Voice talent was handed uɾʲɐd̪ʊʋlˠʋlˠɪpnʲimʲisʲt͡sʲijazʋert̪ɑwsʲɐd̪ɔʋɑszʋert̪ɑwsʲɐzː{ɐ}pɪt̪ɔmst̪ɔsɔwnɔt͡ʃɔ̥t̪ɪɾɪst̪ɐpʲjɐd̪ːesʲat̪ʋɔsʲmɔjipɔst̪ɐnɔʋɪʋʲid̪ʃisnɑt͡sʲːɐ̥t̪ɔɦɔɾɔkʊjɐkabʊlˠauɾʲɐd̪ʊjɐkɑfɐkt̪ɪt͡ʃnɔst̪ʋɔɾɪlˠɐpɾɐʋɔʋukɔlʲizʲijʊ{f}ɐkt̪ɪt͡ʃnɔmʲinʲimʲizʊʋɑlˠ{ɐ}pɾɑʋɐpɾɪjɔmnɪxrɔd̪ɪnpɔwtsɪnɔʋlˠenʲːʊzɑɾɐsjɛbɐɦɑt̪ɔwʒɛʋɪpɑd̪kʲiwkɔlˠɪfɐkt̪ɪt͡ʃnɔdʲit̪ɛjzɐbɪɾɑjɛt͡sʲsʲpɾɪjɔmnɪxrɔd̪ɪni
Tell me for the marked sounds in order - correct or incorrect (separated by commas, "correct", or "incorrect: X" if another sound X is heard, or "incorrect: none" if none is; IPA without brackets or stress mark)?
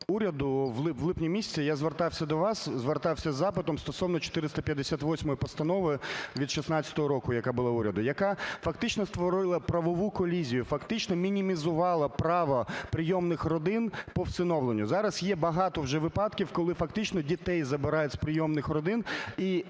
incorrect: ɑ, correct, correct